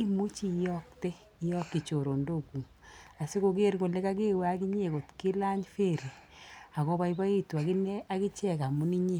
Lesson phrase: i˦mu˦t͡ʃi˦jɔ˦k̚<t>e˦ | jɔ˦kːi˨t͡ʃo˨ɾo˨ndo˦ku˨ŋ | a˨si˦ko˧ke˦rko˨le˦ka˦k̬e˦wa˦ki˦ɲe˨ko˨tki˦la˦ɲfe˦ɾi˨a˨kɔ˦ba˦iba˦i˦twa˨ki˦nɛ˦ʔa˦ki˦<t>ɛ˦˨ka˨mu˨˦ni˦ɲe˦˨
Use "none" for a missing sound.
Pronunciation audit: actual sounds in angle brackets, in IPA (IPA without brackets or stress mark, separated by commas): t, t͡ʃ